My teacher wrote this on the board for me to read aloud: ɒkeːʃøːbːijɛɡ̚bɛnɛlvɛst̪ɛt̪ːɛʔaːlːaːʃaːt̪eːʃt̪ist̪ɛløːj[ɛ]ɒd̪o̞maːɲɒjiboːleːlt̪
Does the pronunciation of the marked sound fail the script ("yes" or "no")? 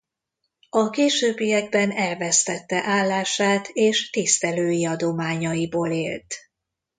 yes